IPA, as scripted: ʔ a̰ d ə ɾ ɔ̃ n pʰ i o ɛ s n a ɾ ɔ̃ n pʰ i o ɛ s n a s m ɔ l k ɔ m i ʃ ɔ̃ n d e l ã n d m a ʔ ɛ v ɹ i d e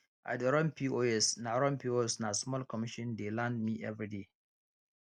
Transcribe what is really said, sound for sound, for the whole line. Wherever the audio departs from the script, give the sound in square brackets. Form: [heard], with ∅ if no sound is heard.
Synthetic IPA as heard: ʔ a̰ d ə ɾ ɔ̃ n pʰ i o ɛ s n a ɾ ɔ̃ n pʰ i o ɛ s n a s m ɔ l k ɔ m i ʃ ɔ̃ n d e l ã n d m [i] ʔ ɛ v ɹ i d e

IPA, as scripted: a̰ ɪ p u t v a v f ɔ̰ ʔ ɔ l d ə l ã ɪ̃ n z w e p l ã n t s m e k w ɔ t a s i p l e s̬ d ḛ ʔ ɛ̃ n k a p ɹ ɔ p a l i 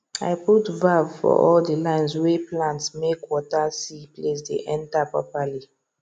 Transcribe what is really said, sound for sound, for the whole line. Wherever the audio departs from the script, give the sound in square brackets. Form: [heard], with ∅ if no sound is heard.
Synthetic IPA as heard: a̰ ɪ p u t v a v f ɔ̰ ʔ ɔ l d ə l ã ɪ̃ n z w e p l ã n t s m e k w ɔ t a s i p l e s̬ d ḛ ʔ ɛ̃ n [t] a p ɹ ɔ p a l i

